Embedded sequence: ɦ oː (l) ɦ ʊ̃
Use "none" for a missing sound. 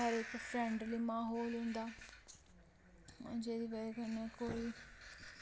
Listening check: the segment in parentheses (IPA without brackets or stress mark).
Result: l